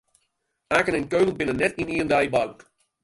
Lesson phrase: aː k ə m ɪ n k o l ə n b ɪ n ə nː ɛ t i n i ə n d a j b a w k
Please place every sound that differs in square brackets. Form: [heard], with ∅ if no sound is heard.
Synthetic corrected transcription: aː k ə [n] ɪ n k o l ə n b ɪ n ə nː ɛ t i n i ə n d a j b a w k